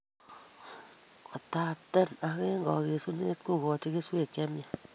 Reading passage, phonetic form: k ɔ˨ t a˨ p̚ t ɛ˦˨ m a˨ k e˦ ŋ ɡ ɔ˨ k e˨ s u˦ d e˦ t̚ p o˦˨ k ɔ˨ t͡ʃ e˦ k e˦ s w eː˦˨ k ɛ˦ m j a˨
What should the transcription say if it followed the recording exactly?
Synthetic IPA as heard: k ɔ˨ t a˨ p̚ t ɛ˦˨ n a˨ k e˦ ŋ ɡ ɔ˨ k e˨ s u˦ n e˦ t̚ k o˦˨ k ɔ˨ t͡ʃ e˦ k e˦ s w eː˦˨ k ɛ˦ m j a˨